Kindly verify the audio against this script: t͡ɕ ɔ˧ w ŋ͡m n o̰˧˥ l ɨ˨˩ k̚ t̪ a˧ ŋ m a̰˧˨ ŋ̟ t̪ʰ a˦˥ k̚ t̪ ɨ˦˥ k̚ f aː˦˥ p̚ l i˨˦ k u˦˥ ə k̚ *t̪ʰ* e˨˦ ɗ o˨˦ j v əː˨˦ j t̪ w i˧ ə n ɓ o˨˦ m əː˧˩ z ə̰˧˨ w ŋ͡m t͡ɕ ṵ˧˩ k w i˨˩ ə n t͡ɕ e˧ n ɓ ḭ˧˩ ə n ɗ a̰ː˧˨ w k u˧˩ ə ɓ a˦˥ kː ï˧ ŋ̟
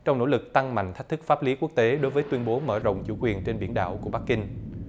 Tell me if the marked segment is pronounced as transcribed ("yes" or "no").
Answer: no